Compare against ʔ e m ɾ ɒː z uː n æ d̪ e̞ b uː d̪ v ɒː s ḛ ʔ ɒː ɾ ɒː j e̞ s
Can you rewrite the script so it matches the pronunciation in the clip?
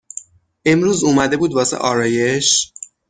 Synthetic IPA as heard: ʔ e m ɾ uː z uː m æ d̪ e̞ b uː d̪ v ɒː s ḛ ʔ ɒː ɾ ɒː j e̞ ʃ